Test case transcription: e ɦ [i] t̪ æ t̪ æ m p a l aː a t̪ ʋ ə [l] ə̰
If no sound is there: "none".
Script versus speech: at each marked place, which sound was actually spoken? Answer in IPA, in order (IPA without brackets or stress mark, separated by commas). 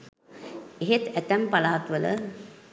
e, l